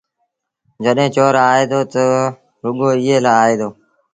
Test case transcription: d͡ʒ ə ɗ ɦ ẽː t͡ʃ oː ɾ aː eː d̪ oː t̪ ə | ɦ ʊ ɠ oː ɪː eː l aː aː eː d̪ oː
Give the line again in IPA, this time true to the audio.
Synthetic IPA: d͡ʒ ə ɗ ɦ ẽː t͡ʃ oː ɾ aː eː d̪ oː t̪ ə | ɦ ʊ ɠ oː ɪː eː l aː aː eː d̪ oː

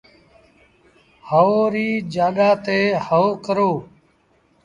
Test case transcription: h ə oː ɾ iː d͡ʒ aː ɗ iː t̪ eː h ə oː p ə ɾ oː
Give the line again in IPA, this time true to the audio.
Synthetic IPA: h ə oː ɾ iː d͡ʒ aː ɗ aː t̪ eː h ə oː k ə ɾ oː

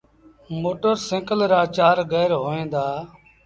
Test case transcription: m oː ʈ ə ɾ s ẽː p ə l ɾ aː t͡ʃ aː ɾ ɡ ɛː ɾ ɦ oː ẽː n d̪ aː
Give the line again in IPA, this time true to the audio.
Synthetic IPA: m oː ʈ ə ɾ s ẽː k ə l ɾ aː t͡ʃ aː ɾ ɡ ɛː ɾ ɦ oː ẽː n d̪ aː

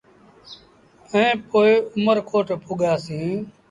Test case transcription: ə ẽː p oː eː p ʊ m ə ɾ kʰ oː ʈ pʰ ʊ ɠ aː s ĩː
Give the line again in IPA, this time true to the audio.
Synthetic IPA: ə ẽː p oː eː ʊ m ə ɾ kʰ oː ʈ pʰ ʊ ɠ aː s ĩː

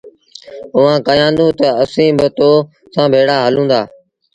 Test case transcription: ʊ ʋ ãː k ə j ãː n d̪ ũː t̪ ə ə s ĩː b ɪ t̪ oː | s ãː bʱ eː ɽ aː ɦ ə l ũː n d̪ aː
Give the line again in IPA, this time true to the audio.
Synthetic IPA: ʊ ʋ ãː k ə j ãː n d̪ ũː t̪ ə ə s ĩː b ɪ t̪ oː | s ãː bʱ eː ɽ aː ɦ ə l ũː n d̪ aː

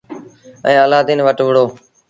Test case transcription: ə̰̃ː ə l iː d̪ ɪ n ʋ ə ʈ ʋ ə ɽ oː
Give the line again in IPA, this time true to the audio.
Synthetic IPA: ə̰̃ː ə l aː d̪ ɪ n ʋ ə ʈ ʋ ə ɽ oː

